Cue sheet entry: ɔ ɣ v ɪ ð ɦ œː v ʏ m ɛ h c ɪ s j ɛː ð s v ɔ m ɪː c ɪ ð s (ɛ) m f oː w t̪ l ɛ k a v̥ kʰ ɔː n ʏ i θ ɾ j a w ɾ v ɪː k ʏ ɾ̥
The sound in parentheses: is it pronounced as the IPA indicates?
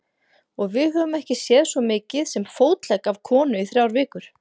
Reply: yes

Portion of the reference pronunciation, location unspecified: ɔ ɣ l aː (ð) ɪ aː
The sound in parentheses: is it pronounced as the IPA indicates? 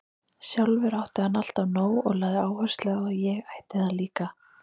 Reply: yes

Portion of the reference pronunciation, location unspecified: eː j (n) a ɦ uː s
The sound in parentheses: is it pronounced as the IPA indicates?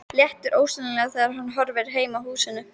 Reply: no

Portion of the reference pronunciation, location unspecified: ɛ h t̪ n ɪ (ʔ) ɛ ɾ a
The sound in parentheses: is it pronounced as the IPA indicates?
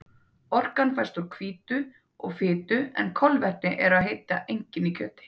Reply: yes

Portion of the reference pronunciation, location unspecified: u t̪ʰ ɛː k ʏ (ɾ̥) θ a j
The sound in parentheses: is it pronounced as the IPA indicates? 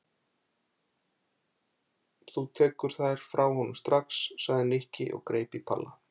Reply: yes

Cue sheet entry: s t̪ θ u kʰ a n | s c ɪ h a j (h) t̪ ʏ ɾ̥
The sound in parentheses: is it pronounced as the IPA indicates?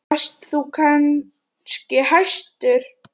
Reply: no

